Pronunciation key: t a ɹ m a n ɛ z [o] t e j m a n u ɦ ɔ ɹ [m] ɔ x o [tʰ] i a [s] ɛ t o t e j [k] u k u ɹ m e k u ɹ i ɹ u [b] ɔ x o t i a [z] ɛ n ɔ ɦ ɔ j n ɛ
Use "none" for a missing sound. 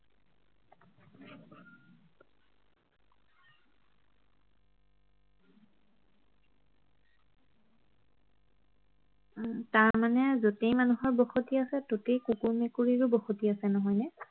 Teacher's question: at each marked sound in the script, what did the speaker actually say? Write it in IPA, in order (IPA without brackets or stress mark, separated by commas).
o, b, t, s, k, b, s